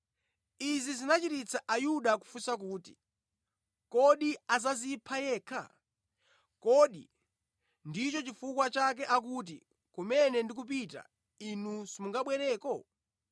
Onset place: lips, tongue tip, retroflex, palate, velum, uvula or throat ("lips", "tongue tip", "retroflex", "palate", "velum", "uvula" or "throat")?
tongue tip